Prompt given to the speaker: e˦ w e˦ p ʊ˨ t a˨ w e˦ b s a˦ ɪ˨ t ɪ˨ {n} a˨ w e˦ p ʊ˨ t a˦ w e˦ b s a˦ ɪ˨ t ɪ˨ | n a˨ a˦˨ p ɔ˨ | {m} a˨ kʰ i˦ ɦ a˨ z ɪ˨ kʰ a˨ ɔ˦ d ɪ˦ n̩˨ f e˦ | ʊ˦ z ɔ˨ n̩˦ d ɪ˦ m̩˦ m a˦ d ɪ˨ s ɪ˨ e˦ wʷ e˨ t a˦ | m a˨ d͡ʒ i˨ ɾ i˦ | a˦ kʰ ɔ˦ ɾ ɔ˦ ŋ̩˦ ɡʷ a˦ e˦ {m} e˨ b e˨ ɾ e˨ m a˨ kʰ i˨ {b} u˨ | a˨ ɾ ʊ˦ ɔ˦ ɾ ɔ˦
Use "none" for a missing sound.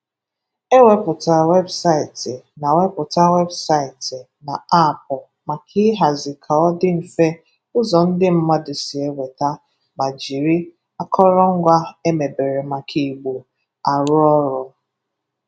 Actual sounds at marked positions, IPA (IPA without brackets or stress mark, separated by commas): n, m, m, ɡ͡b